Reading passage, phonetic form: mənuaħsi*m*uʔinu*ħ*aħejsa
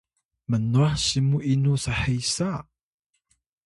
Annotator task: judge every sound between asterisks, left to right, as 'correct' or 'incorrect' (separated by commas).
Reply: correct, incorrect